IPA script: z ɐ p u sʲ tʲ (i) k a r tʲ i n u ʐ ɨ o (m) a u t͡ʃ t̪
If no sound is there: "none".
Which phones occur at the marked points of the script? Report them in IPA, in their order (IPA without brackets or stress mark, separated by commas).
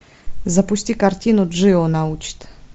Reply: i, n